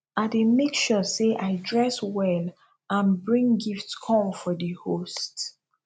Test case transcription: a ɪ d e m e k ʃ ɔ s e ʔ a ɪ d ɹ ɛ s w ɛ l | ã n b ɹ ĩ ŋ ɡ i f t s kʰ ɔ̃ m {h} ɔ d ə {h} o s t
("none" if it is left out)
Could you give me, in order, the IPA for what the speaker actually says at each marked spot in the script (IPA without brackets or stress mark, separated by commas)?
f, h